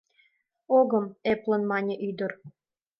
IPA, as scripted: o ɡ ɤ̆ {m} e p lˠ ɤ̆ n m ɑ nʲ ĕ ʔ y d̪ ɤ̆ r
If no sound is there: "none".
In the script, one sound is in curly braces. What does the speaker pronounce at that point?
m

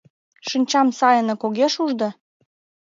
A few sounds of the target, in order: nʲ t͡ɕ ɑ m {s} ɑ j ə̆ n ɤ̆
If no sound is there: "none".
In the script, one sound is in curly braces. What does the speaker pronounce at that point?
s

